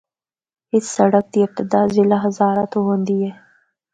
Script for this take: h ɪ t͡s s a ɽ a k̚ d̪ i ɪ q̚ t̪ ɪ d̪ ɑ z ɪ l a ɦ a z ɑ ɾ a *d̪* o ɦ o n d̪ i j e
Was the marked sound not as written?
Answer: yes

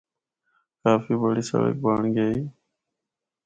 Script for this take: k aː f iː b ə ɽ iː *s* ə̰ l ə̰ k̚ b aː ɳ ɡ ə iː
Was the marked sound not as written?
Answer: no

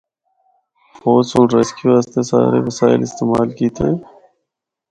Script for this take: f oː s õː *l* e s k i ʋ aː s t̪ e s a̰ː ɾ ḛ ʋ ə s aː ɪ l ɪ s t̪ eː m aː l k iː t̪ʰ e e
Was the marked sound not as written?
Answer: yes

